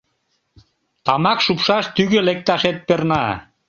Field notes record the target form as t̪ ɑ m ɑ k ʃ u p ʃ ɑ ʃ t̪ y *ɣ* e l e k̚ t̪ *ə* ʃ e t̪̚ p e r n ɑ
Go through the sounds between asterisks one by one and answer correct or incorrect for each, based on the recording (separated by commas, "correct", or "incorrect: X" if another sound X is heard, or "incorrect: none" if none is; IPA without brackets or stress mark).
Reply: correct, incorrect: ɑ